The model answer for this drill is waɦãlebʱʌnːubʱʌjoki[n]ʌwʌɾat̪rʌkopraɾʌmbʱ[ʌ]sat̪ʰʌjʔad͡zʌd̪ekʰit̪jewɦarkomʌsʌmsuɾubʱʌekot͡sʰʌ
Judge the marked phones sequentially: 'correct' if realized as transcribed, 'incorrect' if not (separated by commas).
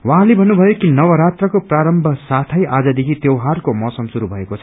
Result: correct, correct